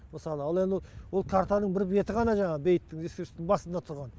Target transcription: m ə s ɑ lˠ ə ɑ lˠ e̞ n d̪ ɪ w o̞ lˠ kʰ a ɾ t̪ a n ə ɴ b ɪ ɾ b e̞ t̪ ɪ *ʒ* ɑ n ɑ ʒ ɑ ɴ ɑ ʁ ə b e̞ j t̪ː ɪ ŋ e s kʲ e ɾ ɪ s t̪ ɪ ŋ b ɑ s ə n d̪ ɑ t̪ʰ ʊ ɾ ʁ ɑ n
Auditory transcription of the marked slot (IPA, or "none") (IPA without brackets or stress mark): ʁ